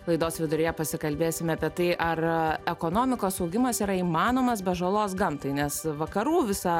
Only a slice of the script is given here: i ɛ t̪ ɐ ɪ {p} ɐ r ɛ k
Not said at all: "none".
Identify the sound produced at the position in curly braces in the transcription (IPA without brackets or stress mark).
ʔ